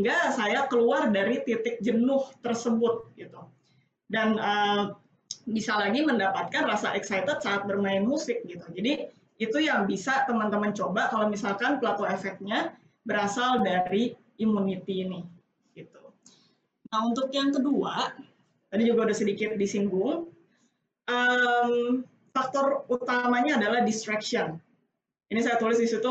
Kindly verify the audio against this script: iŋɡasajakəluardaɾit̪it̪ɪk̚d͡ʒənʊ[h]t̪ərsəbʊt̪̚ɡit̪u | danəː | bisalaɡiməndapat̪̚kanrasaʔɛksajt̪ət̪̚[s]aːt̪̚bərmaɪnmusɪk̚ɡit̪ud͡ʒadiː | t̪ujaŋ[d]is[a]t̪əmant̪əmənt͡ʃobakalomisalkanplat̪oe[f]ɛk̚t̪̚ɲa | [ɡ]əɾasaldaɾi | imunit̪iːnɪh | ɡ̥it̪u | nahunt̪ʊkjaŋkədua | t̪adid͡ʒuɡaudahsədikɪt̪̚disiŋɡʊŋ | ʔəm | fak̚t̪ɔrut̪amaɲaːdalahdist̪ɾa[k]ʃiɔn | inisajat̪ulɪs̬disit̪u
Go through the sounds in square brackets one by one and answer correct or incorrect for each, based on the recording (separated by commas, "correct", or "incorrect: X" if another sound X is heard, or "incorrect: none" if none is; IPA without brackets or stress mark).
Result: correct, correct, incorrect: b, correct, correct, incorrect: b, correct